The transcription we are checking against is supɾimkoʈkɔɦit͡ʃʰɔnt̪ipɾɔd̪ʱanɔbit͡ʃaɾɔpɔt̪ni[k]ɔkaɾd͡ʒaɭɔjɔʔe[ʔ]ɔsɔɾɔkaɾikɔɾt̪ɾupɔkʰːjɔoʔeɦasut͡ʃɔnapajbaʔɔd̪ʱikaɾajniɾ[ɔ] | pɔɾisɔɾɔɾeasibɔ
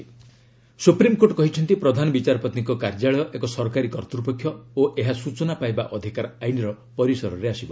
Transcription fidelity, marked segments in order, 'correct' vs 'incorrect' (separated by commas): correct, incorrect, correct